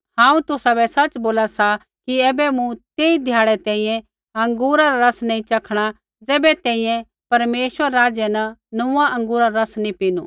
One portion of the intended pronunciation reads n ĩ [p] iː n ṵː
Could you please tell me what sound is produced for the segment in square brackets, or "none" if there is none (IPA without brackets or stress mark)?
p